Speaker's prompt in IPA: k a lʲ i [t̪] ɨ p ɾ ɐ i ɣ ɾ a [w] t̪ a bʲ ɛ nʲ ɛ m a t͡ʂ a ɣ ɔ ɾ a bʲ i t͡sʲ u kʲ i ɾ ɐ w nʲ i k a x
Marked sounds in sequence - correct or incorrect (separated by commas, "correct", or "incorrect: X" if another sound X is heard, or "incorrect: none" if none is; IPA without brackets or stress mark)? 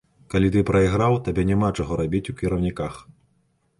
correct, correct